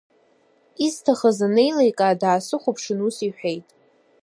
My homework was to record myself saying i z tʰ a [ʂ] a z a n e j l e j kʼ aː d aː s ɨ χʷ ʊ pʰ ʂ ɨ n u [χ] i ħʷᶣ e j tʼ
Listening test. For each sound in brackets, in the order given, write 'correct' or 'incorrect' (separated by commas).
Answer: incorrect, incorrect